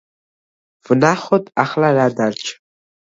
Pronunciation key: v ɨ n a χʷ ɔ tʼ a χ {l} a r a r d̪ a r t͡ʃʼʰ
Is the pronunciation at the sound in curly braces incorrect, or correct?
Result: correct